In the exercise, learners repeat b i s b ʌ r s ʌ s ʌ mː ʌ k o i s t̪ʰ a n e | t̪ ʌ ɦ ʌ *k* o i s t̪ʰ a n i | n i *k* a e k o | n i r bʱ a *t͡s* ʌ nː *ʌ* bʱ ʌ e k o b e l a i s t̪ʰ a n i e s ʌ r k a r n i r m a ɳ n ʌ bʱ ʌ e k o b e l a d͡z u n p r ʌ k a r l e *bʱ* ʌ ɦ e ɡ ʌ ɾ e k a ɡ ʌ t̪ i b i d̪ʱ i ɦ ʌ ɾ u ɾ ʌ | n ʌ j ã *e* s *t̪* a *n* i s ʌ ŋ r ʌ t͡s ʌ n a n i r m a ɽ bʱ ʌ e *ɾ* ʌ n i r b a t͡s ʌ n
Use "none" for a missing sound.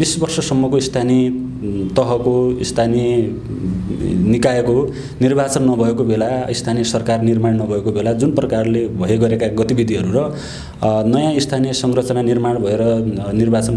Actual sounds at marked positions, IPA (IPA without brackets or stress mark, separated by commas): k, k, t͡s, ʌ, bʱ, i, t̪ʰ, n, ɾ